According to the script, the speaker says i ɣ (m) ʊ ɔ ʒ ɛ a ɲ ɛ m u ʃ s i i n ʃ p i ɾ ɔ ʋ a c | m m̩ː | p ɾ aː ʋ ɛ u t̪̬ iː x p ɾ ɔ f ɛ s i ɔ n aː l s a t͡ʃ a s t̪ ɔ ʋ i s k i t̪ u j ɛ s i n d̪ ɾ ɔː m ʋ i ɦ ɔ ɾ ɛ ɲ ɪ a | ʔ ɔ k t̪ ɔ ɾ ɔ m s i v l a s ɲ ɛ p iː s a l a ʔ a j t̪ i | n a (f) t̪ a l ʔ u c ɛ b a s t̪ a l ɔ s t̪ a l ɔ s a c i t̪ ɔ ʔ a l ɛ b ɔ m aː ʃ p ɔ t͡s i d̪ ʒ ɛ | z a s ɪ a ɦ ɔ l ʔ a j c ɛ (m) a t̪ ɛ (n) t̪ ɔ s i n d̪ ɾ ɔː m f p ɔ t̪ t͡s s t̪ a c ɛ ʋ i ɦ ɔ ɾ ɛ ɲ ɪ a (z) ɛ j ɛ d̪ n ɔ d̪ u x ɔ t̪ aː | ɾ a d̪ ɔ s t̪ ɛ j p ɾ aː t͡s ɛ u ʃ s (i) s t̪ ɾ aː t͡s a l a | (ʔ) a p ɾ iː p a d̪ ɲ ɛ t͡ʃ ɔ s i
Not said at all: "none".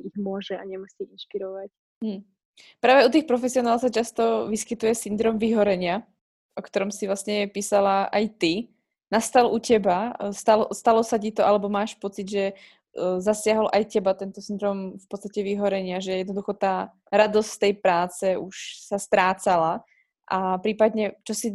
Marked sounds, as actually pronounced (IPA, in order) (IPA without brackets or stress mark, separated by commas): m, s, b, n, ʒ, a, ʔ